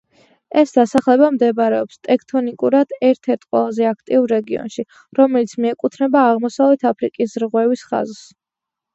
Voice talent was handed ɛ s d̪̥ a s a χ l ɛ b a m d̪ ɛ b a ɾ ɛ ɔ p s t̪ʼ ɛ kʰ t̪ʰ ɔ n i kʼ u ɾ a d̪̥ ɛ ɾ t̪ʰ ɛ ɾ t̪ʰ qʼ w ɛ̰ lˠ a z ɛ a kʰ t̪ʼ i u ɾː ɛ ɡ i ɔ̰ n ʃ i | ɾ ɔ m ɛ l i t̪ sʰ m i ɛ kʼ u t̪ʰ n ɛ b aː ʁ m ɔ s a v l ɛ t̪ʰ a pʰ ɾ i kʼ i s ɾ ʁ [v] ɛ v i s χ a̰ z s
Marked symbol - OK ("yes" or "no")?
no